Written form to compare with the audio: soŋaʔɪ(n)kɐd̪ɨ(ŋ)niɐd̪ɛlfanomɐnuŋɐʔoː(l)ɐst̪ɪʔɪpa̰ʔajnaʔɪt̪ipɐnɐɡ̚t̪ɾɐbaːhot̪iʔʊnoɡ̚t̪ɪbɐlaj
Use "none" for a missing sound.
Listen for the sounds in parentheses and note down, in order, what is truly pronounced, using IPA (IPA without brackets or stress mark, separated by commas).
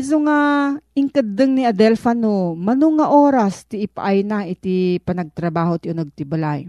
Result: ŋ, ŋ, ɾ